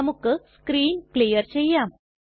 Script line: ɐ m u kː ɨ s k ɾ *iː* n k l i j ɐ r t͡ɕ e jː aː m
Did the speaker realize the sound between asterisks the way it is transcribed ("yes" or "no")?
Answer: yes